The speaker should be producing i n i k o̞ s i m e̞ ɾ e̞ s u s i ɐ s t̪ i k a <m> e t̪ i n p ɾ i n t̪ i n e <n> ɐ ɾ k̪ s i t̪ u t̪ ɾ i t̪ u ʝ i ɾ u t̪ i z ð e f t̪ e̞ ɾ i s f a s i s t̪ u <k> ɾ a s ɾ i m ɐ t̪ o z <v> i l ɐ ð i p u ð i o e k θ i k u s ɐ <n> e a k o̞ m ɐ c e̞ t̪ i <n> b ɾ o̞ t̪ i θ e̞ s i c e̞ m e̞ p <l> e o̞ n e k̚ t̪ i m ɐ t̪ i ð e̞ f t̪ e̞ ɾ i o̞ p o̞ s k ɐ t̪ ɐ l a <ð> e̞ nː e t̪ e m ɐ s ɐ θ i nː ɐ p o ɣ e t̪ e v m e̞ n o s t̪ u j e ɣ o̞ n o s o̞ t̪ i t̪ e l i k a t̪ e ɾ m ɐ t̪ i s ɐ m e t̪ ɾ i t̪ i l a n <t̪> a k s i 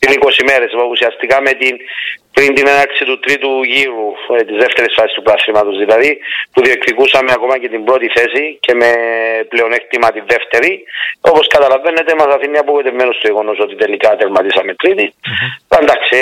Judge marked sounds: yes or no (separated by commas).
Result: yes, yes, no, no, no, no, yes, no, no